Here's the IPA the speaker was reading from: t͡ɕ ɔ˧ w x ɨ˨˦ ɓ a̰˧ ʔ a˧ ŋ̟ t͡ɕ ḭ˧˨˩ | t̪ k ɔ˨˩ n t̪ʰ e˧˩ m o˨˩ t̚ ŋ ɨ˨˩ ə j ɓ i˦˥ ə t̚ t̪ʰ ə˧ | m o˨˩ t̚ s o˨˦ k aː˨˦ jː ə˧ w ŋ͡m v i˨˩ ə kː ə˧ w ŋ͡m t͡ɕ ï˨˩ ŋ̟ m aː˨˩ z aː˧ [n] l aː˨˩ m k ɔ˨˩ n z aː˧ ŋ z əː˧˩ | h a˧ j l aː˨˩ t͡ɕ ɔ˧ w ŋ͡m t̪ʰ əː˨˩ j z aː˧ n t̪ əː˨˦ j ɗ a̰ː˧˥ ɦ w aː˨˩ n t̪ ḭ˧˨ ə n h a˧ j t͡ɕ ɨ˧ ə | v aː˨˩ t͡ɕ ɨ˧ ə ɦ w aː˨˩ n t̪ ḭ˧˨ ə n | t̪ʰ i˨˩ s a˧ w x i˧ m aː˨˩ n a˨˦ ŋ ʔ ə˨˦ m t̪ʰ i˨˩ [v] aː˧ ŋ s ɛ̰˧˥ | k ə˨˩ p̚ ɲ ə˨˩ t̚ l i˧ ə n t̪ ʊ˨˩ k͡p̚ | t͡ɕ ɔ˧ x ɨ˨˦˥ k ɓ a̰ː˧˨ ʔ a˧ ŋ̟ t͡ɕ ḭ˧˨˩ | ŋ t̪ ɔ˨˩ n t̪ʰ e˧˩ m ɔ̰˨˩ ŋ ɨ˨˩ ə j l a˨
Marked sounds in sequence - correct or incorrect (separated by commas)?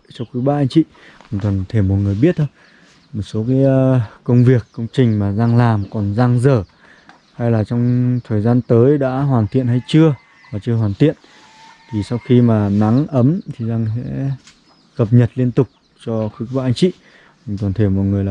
incorrect, incorrect